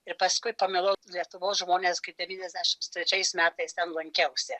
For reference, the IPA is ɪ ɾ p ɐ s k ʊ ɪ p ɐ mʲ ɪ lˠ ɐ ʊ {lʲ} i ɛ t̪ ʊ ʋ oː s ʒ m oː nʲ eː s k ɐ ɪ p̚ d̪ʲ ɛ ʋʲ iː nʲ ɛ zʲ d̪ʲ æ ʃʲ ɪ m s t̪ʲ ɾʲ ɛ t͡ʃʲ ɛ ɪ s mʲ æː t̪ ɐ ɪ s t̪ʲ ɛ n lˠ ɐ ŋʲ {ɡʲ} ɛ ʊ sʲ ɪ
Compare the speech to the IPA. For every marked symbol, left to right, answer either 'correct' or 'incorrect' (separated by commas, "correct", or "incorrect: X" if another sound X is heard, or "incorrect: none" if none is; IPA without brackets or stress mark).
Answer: correct, incorrect: kʲ